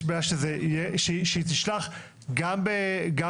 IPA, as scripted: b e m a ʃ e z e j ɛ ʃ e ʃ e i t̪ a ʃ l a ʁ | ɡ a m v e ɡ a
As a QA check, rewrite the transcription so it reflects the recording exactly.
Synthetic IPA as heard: b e a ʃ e z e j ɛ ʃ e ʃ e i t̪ i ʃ l a χ | ɡ a m b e ɡ a